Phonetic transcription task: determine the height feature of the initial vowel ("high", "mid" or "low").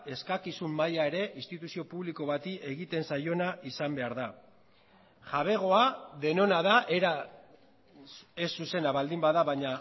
mid